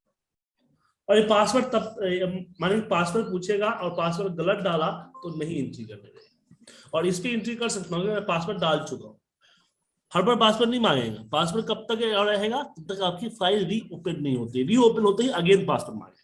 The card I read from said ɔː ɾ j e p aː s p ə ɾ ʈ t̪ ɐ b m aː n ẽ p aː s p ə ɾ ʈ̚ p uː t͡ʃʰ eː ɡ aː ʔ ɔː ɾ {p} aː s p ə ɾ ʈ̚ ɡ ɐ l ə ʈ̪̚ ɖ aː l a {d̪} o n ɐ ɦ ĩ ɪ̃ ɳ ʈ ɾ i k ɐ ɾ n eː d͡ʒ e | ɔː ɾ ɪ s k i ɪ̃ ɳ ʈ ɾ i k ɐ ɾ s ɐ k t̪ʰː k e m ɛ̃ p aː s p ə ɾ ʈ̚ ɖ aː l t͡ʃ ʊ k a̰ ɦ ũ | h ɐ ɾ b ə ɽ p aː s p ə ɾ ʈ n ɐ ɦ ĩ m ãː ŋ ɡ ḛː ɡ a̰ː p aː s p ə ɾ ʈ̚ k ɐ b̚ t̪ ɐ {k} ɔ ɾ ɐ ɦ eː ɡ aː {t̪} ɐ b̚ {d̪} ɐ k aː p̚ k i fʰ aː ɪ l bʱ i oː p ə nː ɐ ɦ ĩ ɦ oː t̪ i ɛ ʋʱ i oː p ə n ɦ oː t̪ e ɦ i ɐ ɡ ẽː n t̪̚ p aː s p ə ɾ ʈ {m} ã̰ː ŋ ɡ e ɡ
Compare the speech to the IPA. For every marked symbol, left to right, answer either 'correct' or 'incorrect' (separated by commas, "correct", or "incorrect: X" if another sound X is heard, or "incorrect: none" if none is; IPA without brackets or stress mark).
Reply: correct, incorrect: t̪, correct, correct, incorrect: t̪, correct